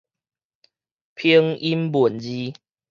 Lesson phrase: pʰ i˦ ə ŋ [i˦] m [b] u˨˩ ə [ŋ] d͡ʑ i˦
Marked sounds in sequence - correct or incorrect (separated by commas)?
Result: correct, correct, incorrect